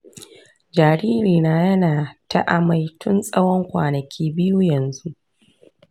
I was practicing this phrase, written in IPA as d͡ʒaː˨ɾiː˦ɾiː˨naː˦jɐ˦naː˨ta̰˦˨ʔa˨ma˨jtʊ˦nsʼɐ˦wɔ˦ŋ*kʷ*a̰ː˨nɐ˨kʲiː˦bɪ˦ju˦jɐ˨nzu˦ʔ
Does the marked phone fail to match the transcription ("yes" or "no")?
no